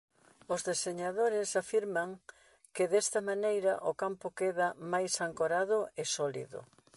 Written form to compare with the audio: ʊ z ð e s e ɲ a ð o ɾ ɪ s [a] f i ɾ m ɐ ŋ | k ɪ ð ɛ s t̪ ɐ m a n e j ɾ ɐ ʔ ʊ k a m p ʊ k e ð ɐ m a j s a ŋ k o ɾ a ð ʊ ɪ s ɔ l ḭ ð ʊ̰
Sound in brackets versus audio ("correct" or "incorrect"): correct